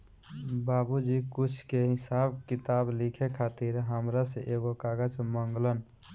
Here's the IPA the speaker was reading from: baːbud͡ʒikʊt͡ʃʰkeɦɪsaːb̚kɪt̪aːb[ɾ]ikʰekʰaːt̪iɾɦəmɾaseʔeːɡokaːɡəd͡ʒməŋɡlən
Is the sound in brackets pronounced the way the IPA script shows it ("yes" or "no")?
no